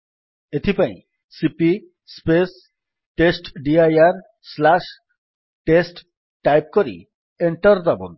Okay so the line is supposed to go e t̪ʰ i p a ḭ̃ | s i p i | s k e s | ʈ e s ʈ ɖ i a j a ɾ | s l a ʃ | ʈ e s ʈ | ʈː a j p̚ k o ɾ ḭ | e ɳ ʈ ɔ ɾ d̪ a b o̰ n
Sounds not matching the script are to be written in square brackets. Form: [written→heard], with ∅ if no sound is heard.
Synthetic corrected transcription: e t̪ʰ i p a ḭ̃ | s i p i | s [k→p] e s | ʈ e s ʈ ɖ i a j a ɾ | s l a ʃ | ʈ e s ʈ | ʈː a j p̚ k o ɾ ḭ | e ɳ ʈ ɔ ɾ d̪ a b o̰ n